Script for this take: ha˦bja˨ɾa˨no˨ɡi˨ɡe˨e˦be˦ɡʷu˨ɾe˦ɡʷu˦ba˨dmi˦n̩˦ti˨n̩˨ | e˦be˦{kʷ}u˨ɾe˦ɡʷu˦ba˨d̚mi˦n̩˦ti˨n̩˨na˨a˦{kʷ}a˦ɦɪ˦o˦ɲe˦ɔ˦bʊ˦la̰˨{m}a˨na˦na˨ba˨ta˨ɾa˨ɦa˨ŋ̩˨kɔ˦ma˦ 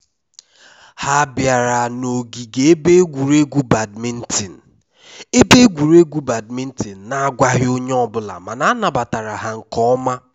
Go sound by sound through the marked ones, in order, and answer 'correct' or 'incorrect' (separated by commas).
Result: incorrect, incorrect, correct